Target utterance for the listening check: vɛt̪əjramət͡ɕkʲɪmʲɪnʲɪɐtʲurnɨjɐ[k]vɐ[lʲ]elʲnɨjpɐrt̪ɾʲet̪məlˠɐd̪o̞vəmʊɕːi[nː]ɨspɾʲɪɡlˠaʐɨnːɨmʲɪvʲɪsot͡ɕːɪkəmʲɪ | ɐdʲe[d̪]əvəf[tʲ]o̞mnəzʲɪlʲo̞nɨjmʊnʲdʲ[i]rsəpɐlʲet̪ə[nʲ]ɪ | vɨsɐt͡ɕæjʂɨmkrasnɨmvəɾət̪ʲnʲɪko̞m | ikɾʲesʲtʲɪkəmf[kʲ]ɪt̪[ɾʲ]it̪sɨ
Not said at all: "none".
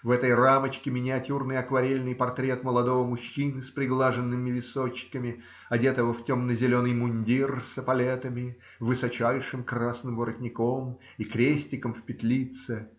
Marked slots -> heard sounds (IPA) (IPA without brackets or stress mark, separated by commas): k, ɾʲ, n, t̪, tʲ, i, mʲ, pʲ, lʲ